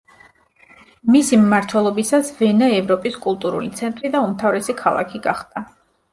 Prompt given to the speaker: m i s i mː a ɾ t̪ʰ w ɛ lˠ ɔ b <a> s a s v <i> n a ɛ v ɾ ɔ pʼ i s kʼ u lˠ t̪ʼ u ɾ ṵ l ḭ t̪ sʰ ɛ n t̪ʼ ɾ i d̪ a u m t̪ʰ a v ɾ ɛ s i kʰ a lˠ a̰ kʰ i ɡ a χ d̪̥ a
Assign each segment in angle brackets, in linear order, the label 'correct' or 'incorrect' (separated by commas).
incorrect, incorrect